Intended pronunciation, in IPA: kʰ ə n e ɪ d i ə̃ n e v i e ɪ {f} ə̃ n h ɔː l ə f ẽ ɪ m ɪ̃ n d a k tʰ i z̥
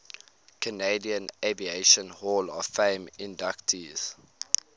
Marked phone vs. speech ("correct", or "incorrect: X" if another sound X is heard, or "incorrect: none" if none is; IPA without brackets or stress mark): incorrect: ʃ